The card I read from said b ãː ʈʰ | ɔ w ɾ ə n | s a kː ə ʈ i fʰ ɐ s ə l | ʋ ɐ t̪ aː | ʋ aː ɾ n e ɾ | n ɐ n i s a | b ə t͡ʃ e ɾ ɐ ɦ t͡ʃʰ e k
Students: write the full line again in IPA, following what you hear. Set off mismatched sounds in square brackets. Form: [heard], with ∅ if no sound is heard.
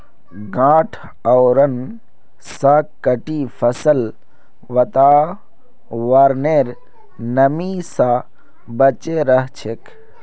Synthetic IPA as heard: [ɡ] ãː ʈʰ | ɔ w ɾ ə n | s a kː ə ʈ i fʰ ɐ s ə l | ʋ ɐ t̪ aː | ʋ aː ɾ n e ɾ | n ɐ [m] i s a | b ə t͡ʃ e ɾ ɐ ɦ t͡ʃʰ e k